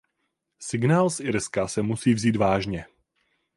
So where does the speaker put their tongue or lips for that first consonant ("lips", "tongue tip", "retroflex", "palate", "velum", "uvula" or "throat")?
tongue tip